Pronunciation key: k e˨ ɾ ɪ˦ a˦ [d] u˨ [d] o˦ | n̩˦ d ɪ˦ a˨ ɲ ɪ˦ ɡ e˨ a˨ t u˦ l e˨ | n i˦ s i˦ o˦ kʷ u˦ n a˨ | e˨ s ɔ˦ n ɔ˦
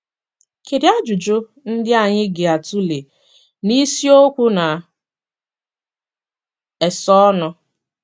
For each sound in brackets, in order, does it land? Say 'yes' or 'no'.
no, no

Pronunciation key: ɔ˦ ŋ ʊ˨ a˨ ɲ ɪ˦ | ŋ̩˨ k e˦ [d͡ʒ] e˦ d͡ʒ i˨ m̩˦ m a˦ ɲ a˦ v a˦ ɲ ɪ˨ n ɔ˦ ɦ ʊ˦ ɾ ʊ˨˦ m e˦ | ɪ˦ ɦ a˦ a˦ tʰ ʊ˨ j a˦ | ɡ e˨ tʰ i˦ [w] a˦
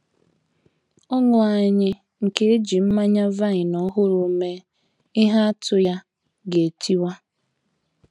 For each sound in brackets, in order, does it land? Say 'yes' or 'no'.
no, yes

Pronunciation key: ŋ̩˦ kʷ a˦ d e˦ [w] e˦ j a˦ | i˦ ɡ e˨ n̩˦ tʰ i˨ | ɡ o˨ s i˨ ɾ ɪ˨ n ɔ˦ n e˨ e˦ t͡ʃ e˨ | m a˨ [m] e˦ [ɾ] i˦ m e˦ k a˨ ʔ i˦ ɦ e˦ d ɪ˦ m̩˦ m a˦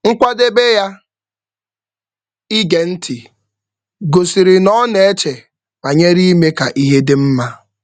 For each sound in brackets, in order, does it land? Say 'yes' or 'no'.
no, no, yes

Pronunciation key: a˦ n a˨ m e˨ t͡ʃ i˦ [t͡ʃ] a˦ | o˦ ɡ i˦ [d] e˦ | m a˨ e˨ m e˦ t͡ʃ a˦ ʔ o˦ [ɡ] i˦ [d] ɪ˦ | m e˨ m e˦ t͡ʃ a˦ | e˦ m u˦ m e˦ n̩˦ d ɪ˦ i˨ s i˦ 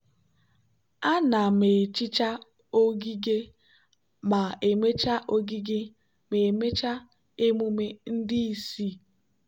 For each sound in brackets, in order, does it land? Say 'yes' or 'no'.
yes, no, yes, no

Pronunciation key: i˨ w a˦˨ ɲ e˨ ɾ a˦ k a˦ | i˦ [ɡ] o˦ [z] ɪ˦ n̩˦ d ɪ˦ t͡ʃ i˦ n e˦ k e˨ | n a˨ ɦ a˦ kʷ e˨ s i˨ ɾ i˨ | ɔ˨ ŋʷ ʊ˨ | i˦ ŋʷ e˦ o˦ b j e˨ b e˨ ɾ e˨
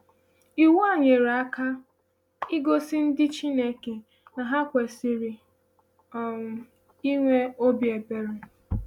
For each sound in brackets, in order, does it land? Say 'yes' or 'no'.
yes, no

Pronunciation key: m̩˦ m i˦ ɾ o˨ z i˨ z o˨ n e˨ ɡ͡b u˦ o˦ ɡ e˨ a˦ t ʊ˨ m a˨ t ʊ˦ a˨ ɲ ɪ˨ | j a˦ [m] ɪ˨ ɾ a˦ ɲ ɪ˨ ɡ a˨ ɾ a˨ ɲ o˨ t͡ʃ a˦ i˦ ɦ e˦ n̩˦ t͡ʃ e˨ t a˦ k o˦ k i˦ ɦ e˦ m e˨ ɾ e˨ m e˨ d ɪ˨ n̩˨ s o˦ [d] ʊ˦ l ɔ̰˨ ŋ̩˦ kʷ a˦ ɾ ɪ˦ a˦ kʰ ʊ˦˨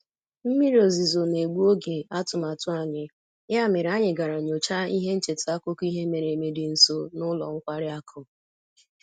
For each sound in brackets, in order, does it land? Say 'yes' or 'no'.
yes, no

